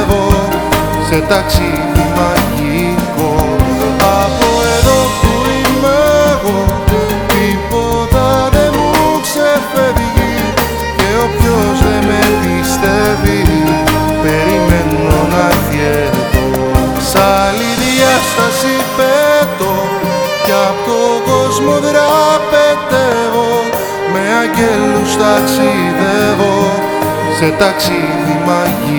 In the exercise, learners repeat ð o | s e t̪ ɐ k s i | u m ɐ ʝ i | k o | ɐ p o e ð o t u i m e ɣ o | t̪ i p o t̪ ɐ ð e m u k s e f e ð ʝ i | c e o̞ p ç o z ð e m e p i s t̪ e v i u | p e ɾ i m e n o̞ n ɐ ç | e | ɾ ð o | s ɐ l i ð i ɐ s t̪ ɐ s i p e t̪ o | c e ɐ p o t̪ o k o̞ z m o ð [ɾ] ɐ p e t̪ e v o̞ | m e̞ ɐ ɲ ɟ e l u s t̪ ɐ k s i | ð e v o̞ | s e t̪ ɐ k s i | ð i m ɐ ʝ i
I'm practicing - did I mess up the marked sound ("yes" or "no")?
no